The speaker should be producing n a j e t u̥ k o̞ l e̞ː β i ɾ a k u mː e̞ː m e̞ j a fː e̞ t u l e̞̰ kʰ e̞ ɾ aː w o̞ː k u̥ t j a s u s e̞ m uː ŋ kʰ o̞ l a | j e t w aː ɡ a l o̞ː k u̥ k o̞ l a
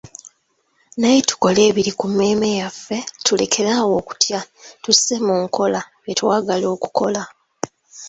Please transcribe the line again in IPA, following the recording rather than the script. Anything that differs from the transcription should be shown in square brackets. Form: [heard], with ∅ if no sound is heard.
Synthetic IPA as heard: n a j e t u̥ k o̞ l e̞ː β i ɾ [i] k u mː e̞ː m e̞ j a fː e̞ t u l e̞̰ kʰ e̞ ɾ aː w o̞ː k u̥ t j a [t] u s e̞ m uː ŋ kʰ o̞ l a | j e t w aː ɡ a l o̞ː k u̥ k o̞ l a